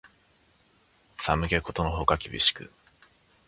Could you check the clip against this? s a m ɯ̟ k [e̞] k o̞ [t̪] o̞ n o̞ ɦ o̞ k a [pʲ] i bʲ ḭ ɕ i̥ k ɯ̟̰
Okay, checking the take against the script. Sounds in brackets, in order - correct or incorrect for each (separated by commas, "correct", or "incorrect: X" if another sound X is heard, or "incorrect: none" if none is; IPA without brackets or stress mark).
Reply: correct, correct, incorrect: kʲ